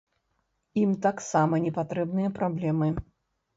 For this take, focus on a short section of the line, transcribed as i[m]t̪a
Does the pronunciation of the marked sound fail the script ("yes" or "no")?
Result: no